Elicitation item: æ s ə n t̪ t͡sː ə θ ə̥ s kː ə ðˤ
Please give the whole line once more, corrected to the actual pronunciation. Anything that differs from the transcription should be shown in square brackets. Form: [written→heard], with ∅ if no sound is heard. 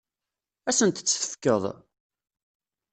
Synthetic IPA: æ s ə n t̪ t͡sː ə θ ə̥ [s→f] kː ə ðˤ